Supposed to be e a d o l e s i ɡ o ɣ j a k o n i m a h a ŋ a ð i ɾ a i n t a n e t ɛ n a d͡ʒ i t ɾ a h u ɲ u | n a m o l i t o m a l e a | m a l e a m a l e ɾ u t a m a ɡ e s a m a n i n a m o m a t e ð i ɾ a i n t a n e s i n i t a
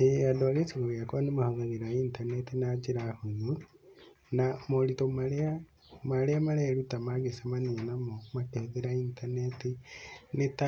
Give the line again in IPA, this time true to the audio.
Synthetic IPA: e a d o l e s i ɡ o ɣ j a k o n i m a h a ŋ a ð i ɾ a i n t a n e t i n a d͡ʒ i ɾ a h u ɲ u | n a m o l i t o m a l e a | m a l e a m a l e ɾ u t a m a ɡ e s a m a n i n a m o m a t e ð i ɾ a i n t a n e t i n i t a